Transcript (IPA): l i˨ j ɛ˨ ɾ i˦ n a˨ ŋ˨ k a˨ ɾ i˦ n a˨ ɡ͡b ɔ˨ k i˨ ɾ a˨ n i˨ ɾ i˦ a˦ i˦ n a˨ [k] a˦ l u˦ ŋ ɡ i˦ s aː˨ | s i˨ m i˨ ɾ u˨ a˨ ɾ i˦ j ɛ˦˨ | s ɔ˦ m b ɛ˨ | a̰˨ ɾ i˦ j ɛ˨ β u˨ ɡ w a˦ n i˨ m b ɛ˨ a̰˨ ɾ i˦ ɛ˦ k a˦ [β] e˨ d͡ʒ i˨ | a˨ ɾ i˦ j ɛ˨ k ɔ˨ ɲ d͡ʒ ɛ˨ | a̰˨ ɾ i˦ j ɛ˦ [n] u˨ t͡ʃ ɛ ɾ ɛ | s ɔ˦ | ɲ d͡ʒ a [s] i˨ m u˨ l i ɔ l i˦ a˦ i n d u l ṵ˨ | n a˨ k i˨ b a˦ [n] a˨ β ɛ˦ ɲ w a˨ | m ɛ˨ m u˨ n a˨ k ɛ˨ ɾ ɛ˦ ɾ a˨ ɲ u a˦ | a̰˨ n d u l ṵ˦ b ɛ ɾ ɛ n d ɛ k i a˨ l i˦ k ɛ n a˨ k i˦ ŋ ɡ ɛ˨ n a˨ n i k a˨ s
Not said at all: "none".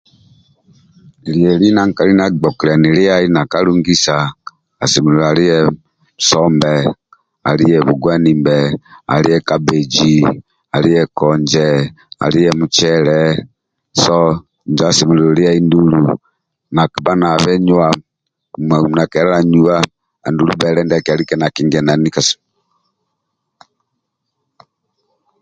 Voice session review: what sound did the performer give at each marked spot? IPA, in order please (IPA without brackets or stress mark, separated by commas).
k, b, m, s, n